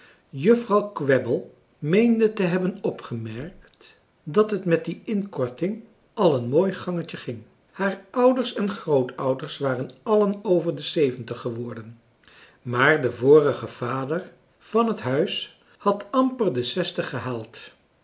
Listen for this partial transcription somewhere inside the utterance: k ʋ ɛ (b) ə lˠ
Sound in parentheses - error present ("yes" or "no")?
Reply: no